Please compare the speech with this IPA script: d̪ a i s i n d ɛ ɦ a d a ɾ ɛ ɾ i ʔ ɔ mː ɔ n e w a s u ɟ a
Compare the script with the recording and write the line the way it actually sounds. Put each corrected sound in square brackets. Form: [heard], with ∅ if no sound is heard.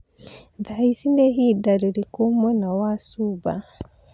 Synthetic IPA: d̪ a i s i n d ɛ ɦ [i] d a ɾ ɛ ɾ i [k] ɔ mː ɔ n [a] w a s u [b] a